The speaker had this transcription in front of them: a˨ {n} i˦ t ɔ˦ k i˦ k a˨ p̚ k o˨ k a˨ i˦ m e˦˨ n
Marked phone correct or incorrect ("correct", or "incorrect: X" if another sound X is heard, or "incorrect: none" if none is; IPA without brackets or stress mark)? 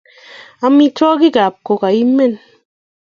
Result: incorrect: m